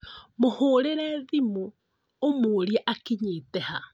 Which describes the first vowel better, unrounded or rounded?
rounded